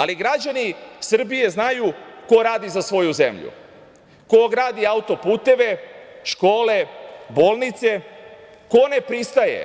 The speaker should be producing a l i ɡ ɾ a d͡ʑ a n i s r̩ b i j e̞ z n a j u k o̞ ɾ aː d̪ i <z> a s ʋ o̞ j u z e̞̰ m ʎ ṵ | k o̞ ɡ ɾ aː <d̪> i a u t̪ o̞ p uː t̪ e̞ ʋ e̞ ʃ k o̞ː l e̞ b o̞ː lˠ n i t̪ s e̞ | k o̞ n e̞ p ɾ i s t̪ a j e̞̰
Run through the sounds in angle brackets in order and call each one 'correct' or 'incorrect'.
correct, correct

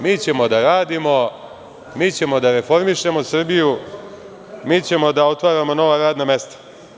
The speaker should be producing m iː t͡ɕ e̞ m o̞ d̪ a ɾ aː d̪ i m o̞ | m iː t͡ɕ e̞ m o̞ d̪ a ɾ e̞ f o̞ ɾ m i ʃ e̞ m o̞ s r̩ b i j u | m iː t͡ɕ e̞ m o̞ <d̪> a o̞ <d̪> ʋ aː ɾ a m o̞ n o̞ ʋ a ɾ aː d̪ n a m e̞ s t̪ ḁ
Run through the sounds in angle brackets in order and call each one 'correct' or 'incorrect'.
correct, incorrect

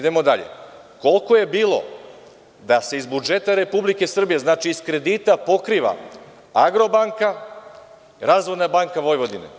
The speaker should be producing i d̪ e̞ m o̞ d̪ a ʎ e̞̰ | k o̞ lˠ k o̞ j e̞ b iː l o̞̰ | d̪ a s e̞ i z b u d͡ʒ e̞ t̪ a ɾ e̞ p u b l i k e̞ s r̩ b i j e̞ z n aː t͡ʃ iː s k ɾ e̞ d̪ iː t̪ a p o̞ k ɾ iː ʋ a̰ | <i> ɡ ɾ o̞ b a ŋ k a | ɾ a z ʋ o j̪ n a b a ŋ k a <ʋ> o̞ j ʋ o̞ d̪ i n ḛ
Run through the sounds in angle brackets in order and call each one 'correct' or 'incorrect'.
incorrect, correct

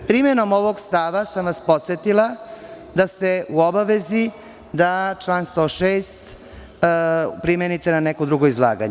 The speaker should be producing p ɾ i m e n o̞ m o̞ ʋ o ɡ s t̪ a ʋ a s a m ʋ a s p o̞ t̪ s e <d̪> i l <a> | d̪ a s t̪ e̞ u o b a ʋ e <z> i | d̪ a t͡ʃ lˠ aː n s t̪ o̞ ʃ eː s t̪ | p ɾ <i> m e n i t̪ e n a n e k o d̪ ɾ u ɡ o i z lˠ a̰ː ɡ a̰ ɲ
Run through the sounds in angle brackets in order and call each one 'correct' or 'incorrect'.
incorrect, correct, correct, correct

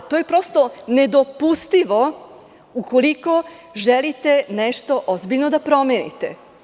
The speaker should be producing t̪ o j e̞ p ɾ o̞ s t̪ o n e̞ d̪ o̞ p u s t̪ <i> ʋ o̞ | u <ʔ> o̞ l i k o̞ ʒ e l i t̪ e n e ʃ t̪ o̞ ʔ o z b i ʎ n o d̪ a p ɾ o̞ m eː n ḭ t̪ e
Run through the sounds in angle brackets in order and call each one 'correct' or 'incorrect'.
correct, incorrect

